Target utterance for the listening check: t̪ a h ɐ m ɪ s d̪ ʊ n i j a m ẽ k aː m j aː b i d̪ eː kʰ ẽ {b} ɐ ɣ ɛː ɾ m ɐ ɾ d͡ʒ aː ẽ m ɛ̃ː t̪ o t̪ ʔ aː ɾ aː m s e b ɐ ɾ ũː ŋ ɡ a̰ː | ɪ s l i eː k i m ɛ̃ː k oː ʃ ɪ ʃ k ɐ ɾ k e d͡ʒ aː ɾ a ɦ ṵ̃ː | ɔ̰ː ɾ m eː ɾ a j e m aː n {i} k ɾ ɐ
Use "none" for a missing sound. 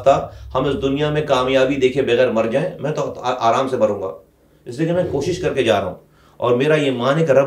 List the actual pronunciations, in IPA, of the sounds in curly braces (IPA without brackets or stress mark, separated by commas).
b, ɪ